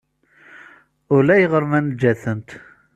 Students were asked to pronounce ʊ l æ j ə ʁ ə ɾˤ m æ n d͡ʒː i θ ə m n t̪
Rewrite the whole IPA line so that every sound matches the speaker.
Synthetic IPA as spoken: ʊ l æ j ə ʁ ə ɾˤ m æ n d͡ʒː æ θ ə n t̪